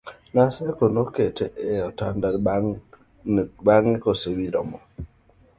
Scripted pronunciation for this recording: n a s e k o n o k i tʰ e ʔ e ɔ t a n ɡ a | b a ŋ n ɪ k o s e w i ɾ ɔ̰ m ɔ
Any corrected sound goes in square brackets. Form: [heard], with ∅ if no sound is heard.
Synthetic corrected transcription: n a s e k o n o k [e] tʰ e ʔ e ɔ t a n [d] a | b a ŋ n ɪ k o s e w i ɾ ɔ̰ m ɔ